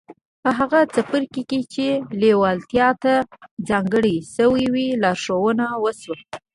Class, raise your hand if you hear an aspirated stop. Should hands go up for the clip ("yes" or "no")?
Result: no